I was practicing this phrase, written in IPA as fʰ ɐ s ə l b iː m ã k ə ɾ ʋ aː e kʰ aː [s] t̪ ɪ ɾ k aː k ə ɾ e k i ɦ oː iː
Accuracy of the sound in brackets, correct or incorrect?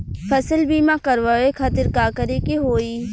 incorrect